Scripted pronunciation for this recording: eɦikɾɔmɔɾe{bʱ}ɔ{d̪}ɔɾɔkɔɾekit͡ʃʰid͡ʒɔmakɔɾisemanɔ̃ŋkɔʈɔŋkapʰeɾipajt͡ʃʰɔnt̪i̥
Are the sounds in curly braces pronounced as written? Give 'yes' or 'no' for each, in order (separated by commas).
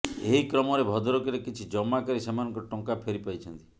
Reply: yes, yes